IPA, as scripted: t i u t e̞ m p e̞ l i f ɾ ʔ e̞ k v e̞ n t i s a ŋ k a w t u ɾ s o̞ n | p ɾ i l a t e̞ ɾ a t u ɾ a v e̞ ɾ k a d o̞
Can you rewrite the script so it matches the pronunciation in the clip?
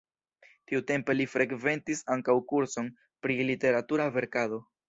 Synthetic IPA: t i u t e̞ m p e̞ l i f ɾ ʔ e̞ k v e̞ n t i s a ŋ k a w k u ɾ s o̞ n | p ɾ i l i t e̞ ɾ a t u ɾ a v e̞ ɾ k a d o̞

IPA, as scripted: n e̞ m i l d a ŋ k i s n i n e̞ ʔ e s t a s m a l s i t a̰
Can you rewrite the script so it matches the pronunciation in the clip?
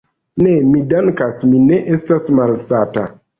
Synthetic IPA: n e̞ m i d a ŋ k a s m i n e̞ ʔ e s t a s m a l s a t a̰

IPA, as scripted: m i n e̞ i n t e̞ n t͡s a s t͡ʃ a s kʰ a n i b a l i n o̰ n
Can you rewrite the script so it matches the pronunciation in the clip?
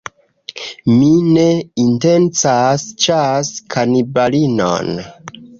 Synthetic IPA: m i n e̞ i n t e̞ n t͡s a s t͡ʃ a s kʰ a n i b a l i n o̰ n

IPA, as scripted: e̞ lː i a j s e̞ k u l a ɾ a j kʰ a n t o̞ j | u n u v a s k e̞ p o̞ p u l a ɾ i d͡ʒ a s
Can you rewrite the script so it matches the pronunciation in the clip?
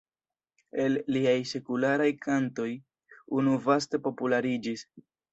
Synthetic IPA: e̞ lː i a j s e̞ k u l a ɾ a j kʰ a n t o̞ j | u n u v a s t e̞ p o̞ p u l a ɾ i d͡ʒ i s

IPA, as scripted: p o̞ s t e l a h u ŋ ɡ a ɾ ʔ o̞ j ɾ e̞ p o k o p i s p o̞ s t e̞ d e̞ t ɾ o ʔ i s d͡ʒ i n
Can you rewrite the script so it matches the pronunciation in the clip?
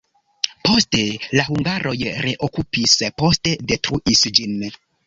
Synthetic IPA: p o̞ s t e l a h u ŋ ɡ a ɾ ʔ o̞ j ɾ e̞ ʔ o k u p i s p o̞ s t e̞ d e̞ t ɾ u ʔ i s d͡ʒ i n

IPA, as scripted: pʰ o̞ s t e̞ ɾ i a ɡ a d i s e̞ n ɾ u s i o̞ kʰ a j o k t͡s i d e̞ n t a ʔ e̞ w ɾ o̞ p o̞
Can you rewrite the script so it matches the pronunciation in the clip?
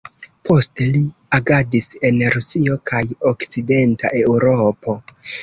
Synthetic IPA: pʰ o̞ s t e̞ l i a ɡ a d i s e̞ n ɾ u s i o̞ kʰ a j o k t͡s i d e̞ n t a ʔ e̞ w ɾ o̞ p o̞

